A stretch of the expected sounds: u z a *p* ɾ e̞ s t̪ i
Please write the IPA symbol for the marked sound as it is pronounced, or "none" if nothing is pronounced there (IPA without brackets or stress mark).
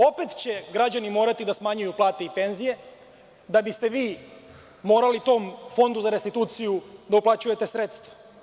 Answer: none